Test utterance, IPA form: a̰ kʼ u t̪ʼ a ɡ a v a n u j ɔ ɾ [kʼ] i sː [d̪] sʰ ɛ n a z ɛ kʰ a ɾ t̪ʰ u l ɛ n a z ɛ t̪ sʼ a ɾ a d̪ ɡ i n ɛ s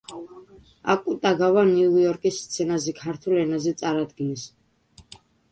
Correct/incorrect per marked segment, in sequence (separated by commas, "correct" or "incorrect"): correct, incorrect